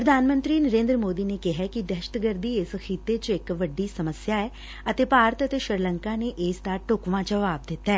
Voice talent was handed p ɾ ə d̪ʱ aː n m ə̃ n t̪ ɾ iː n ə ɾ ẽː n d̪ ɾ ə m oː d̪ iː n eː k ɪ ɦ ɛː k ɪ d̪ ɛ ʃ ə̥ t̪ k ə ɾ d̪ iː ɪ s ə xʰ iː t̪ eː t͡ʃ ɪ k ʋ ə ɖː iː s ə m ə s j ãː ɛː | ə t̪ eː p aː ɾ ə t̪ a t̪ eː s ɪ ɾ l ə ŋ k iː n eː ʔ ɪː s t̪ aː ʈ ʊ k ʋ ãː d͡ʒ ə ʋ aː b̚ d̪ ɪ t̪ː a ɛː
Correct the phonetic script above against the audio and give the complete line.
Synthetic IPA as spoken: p ɾ ə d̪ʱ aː n m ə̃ n t̪ ɾ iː n ə ɾ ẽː n d̪ ɾ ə m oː d̪ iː n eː k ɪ ɦ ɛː k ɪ d̪ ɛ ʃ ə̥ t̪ ɡ ə ɾ d̪ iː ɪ s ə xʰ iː t̪ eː t͡ʃ ɪ k ʋ ə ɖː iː s ə m ə s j aː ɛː | ə t̪ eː p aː ɾ ə t̪ ə t̪ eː ʃ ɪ ɾ l ə ŋ k aː n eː ʔ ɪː s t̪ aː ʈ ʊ k ʋ ãː d͡ʒ ə ʋ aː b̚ d̪ ɪ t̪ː a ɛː